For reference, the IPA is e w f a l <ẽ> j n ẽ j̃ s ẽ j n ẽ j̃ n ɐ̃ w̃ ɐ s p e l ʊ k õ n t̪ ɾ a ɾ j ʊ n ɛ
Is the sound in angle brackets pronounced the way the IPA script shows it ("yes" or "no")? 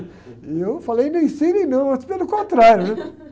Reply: no